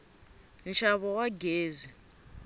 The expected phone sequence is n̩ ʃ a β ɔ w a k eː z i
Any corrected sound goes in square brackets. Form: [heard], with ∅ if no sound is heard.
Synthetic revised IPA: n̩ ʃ a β ɔ w a [ɡ] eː z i